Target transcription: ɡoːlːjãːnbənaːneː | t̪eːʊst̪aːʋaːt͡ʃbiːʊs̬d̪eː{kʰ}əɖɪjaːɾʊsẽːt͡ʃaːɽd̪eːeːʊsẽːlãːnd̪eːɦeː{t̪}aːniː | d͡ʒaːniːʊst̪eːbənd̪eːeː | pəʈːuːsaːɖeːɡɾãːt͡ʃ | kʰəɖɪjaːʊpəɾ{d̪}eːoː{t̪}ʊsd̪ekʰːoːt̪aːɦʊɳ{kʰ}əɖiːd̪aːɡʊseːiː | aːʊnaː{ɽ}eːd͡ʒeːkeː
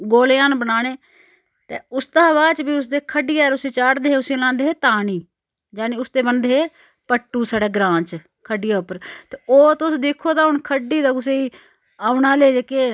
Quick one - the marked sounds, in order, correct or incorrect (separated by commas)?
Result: correct, correct, incorrect, correct, correct, incorrect